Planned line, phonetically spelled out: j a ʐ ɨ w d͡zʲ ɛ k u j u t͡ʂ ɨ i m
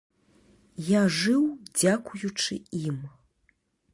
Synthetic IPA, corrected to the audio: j a ʐ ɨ w d͡zʲ a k u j u t͡ʂ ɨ i m